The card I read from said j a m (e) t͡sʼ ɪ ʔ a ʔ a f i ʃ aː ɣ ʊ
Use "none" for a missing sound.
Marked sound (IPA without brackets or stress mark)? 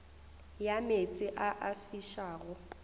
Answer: e